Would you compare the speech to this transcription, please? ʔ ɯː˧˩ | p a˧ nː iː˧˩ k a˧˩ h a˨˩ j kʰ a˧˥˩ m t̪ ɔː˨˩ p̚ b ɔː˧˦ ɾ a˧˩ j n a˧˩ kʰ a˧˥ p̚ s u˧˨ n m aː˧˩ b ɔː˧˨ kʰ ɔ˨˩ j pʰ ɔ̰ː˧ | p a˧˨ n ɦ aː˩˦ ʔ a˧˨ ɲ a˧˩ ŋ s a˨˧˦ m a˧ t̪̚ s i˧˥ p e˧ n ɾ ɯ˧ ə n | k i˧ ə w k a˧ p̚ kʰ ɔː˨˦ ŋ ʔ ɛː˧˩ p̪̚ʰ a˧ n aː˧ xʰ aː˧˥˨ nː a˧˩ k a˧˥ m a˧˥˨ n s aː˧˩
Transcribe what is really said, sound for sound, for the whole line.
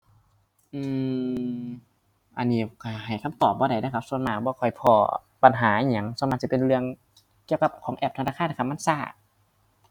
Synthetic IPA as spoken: ʔ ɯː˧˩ | ʔ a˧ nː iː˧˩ k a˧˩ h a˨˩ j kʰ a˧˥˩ m t̪ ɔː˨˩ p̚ b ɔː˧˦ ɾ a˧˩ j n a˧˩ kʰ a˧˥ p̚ s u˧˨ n m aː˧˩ b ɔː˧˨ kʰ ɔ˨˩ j pʰ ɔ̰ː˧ | p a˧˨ n ɦ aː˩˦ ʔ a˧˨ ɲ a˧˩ ŋ s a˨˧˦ m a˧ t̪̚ s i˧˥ p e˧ n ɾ ɯ˧ ə ŋ | k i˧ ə w k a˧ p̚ kʰ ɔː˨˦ ŋ ʔ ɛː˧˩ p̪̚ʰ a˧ n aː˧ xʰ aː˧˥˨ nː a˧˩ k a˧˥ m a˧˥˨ n s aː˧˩

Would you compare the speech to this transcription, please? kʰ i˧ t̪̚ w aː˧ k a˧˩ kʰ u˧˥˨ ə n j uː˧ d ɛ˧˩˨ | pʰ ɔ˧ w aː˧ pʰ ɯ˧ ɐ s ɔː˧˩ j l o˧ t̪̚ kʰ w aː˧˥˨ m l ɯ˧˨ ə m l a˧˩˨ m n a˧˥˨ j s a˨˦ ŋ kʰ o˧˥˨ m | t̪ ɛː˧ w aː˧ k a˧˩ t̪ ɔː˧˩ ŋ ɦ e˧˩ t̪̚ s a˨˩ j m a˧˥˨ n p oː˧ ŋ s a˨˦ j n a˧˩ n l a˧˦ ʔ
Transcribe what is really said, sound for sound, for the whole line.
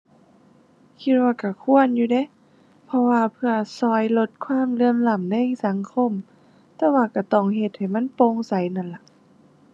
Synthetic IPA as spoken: kʰ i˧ t̪̚ w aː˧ k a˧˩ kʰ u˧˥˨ ə n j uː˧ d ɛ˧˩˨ | pʰ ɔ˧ w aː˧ pʰ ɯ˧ ɐ s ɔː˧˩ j l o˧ t̪̚ kʰ w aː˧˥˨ m l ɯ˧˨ ə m l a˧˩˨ m n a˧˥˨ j s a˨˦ ŋ kʰ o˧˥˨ m | t̪ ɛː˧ w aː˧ k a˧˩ t̪ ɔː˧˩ ŋ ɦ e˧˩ t̪̚ h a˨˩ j m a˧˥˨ n p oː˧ ŋ s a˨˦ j n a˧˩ n l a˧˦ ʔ

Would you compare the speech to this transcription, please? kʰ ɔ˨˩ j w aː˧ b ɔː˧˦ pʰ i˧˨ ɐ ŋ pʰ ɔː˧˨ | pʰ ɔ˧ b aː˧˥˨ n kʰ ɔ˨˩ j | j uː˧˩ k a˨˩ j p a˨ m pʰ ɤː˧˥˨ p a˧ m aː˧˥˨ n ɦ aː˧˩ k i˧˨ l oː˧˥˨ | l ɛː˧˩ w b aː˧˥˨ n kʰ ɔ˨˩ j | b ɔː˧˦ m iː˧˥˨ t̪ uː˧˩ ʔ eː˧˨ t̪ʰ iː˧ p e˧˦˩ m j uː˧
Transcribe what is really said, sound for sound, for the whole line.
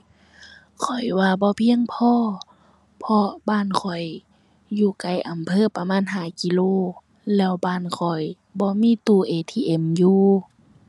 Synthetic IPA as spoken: kʰ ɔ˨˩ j w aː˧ b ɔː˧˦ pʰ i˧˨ ə ŋ pʰ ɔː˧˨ | pʰ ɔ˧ b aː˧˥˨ n kʰ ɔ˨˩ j | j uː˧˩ k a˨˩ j ʔ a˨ m pʰ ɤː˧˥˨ p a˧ m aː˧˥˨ n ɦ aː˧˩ k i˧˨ l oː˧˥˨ | l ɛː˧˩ w b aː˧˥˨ n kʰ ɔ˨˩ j | b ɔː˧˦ m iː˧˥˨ t̪ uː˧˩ ʔ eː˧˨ t̪ʰ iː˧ ʔ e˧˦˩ m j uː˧

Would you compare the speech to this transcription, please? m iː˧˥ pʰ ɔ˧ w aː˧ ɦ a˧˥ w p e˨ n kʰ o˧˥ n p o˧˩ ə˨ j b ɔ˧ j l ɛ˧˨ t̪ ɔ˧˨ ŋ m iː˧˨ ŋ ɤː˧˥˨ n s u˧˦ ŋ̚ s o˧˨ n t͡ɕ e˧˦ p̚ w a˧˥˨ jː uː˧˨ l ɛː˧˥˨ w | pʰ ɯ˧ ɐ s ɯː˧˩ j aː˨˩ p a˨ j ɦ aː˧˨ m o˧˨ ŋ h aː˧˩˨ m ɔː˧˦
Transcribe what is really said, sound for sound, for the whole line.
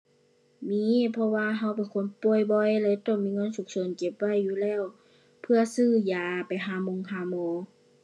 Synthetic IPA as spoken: m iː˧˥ pʰ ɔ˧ w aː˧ ɦ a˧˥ w p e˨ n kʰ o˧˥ n p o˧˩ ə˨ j b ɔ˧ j l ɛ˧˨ t̪ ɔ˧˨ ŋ m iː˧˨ ŋ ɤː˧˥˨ n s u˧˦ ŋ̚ s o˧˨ n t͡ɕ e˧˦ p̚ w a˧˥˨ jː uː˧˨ l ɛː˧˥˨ w | pʰ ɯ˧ ɐ s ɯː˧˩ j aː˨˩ p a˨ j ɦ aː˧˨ m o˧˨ ŋ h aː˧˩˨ m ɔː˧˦

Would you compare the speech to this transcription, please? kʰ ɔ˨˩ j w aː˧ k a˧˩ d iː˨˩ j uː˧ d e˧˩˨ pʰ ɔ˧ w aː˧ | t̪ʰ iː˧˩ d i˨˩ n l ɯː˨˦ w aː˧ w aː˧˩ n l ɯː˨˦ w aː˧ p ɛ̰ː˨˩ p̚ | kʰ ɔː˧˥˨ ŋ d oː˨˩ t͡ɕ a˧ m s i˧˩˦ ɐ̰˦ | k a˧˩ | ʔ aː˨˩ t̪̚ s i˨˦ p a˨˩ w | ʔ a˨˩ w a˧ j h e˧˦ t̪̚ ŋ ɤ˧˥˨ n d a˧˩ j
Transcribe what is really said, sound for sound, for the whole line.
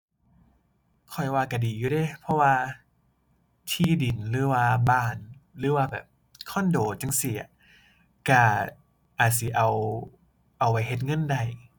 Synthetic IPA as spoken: kʰ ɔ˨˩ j w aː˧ k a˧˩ d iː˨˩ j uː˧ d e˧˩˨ pʰ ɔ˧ w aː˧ | t̪ʰ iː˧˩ d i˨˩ n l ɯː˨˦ w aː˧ b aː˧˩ n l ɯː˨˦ w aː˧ b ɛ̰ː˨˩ p̚ | kʰ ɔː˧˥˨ n d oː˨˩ t͡ɕ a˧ ŋ s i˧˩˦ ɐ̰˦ | k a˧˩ | ʔ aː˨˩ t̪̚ s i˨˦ ʔ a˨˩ w | ʔ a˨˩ w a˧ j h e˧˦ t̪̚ ŋ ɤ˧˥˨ n d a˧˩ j

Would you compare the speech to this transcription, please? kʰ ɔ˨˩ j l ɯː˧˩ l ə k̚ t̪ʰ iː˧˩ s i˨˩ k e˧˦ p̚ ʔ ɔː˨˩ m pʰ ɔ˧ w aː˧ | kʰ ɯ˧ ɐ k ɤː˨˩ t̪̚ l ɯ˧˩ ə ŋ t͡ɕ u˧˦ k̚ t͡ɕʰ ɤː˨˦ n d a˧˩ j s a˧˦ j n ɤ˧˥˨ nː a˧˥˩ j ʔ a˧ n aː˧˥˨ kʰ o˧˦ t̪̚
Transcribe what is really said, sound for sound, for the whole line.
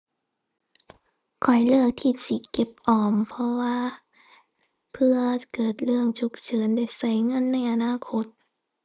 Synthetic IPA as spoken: kʰ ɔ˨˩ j l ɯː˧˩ ə k̚ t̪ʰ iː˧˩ s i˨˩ k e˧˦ p̚ ʔ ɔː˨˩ m pʰ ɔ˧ w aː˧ | pʰ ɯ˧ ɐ k ɤː˨˩ t̪̚ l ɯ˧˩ ə ŋ t͡ɕʰ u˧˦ k̚ t͡ɕʰ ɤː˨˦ n d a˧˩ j s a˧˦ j ŋ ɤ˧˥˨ nː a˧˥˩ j ʔ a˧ n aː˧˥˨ kʰ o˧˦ t̪̚

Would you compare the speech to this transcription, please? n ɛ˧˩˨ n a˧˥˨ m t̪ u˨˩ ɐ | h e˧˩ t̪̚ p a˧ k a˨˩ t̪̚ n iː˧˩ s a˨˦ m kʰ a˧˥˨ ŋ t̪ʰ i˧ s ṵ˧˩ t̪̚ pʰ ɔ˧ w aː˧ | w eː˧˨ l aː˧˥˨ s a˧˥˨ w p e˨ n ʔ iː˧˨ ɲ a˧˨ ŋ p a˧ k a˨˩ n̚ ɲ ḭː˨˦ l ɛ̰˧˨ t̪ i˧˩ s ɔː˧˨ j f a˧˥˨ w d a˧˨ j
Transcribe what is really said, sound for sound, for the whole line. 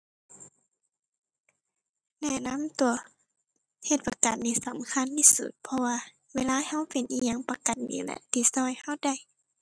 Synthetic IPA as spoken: n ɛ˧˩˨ n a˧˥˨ m t̪ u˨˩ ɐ | h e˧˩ t̪̚ p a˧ k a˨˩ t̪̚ n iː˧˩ s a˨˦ m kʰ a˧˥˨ n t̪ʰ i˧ s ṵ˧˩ t̪̚ pʰ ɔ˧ w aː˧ | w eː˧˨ l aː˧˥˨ h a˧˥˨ w p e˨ n ʔ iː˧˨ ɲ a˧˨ ŋ p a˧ k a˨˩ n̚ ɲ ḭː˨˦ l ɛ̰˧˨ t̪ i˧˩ s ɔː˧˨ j h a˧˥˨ w d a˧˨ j

